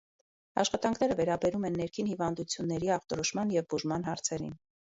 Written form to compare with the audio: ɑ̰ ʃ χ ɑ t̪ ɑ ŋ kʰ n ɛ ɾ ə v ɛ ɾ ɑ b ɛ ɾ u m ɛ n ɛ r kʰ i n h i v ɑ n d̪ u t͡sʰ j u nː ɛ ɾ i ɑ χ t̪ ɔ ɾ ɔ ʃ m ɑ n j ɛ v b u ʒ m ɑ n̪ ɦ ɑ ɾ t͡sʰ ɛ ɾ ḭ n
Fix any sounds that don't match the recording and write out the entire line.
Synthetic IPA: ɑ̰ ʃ χ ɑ t̪ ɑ ŋ kʰ n ɛ ɾ ə v ɛ ɾ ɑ b ɛ ɾ u m ɛ nː ɛ ɾ kʰ i n h i v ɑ n d̪ u t͡sʰ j u nː ɛ ɾ i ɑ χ t̪ ɔ ɾ ɔ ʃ m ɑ n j ɛ v b u ʒ m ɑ n̪ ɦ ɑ ɾ t͡sʰ ɛ ɾ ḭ n